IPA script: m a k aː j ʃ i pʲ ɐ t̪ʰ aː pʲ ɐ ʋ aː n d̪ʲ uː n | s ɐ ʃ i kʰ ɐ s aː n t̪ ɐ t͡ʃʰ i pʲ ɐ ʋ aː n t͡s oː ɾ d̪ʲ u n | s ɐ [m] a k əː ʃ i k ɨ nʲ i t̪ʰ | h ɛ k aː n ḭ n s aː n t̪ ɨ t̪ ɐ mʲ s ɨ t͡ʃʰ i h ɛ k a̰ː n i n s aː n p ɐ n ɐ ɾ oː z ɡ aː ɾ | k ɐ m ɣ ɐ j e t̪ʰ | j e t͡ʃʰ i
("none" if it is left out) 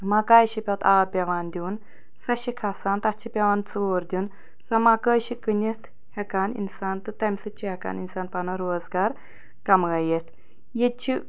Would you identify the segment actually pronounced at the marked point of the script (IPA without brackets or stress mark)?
m